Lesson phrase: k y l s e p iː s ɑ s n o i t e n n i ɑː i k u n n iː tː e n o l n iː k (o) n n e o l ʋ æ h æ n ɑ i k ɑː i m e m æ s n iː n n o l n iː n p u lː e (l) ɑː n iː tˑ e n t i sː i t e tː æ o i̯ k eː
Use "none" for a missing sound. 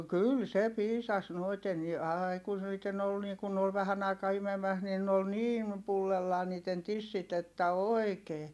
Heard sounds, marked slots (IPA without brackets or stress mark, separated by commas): u, lː